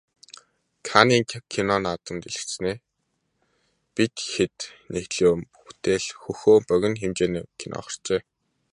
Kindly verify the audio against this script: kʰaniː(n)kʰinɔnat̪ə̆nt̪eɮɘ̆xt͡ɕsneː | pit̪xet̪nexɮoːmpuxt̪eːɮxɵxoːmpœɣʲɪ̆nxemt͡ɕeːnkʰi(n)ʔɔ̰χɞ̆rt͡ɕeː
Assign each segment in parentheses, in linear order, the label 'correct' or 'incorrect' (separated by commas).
incorrect, correct